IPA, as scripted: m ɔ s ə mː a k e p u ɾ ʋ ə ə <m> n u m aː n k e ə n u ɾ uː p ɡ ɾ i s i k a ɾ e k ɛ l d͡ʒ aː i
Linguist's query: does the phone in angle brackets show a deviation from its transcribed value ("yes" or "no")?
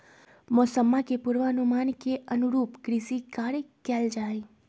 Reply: yes